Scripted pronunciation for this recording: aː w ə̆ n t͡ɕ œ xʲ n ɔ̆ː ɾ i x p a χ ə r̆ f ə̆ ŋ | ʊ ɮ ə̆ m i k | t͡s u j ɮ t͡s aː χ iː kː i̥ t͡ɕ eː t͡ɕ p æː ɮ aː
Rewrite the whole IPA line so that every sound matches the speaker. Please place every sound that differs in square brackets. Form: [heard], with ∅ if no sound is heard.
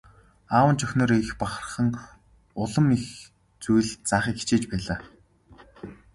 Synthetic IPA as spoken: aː w ə̆ n t͡ɕ œ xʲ n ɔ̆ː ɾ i x p a χ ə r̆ [χ] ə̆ ŋ | ʊ ɮ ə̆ m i [x] | t͡s u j ɮ t͡s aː χ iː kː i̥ t͡ɕ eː t͡ɕ p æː ɮ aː